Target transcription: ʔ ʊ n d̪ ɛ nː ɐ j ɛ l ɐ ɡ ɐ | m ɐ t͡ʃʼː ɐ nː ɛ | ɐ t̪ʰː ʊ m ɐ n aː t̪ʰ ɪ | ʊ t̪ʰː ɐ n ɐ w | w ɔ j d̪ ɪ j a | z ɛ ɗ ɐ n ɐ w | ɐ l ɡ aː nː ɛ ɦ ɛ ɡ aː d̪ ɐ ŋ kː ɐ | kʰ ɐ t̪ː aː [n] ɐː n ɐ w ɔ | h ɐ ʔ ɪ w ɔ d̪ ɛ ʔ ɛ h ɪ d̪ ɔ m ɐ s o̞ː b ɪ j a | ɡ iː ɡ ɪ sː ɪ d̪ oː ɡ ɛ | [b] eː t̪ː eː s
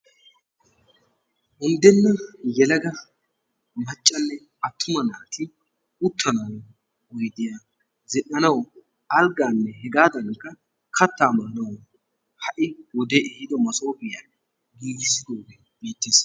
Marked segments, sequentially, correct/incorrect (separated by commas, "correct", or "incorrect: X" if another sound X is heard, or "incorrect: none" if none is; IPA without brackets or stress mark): incorrect: m, correct